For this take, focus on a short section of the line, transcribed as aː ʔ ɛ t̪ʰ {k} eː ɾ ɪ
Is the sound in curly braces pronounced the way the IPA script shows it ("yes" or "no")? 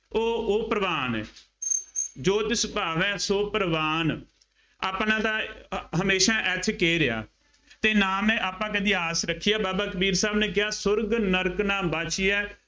yes